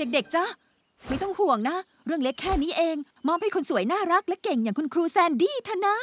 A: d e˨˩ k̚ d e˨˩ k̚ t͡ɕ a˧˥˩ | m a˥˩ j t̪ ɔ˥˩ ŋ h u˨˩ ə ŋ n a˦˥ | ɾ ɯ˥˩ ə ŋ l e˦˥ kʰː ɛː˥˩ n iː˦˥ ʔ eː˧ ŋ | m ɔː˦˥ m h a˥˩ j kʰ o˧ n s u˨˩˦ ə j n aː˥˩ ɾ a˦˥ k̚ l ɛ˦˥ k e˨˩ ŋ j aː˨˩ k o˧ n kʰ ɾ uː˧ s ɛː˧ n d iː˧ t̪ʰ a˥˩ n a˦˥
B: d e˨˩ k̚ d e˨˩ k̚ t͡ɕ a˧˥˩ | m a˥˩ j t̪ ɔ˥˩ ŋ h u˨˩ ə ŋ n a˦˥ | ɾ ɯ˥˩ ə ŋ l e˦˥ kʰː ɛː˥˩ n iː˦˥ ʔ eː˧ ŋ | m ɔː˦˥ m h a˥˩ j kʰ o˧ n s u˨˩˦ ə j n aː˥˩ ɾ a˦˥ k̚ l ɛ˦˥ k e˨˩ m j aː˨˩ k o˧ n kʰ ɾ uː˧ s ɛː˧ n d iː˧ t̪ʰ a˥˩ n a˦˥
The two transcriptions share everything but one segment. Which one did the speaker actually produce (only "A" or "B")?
A